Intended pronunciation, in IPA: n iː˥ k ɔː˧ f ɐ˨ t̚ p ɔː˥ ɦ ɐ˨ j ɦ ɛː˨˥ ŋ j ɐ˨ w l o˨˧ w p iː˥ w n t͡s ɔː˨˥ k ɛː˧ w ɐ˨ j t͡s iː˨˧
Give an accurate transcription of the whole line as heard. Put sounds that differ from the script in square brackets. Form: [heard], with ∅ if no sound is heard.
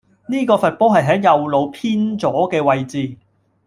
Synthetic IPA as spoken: n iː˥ k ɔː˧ f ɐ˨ t̚ p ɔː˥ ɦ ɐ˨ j ɦ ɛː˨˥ ŋ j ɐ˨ w l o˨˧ w [pʰ] iː˥ [∅] n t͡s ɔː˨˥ k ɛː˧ w ɐ˨ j t͡s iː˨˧